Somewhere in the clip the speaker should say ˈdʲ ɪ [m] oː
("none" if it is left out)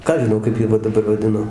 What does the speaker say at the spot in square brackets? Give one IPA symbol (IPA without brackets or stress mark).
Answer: n